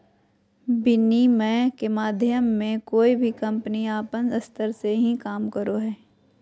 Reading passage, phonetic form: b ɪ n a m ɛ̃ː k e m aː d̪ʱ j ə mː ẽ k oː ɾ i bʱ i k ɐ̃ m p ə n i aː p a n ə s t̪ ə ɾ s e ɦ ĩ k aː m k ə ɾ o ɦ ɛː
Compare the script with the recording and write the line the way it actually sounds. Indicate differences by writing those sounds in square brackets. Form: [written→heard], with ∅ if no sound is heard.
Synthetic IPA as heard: b ɪ n [a→i] m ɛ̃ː k e m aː d̪ʱ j ə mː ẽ k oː [ɾ→∅] i bʱ i k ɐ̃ m p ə n i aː p [a→ə] n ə s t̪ ə ɾ s e ɦ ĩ k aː m k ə ɾ o ɦ ɛː